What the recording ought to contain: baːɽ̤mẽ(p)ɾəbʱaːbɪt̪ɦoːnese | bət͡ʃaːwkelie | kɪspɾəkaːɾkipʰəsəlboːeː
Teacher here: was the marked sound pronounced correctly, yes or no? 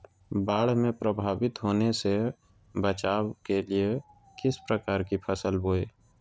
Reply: yes